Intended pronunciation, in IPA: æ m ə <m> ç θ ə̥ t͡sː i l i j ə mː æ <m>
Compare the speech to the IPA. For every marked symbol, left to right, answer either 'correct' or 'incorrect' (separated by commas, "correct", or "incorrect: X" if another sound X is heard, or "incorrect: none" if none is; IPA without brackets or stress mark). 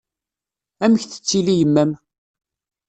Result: incorrect: none, correct